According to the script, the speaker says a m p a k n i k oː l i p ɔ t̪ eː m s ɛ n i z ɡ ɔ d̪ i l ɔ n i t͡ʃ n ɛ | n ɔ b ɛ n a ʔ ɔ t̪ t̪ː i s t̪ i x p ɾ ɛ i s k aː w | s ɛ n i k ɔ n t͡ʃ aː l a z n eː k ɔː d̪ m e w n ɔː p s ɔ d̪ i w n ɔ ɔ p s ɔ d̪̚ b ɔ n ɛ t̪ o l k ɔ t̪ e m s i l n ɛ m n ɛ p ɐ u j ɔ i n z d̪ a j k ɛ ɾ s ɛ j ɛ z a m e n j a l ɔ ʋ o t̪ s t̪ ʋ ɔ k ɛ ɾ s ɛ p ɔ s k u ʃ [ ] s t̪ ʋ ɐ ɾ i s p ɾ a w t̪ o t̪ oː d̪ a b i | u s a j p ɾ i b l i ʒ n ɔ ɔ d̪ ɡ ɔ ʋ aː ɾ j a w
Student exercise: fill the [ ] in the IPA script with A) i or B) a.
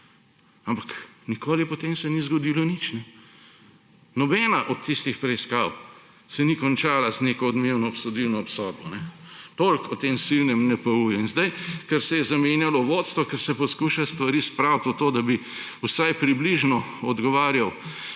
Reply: B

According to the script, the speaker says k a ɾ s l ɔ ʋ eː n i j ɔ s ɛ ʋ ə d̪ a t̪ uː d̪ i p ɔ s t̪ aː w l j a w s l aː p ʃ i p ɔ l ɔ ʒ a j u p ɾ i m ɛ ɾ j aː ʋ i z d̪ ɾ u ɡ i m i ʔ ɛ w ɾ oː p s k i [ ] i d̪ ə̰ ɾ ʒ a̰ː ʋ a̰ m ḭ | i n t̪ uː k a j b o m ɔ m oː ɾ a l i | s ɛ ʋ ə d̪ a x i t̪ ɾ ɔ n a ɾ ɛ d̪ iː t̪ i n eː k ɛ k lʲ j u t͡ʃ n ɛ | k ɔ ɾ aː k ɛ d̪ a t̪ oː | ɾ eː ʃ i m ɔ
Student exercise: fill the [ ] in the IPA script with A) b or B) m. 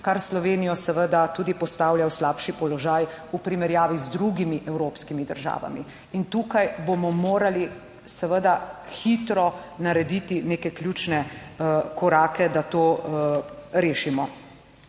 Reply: B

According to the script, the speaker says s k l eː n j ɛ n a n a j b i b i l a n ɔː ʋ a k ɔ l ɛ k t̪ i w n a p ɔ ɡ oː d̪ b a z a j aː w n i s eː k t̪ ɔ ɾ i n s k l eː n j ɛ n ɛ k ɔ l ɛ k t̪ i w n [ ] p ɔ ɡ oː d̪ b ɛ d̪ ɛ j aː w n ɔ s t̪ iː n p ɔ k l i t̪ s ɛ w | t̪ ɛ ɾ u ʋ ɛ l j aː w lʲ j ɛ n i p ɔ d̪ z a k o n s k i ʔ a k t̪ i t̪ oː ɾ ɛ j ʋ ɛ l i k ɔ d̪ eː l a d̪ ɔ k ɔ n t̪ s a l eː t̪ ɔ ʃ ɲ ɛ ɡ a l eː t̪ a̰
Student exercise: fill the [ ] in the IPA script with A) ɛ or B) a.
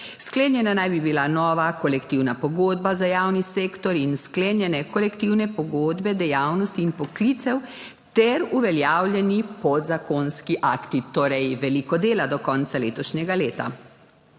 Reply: A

